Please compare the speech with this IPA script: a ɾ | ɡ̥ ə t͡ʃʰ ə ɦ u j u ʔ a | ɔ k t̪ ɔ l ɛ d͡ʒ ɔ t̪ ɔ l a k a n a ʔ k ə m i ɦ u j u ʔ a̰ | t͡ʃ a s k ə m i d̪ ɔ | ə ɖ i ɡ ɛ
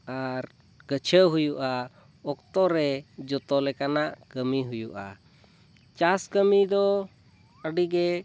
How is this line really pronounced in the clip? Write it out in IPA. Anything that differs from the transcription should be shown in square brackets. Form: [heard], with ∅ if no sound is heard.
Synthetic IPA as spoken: a ɾ | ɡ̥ ə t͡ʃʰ ə ɦ u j u ʔ a | ɔ k t̪ ɔ [ɾ] ɛ d͡ʒ ɔ t̪ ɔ l [ɛ] k a n a ʔ k ə m i ɦ u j u ʔ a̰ | t͡ʃ a s k ə m i d̪ ɔ | ə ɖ i ɡ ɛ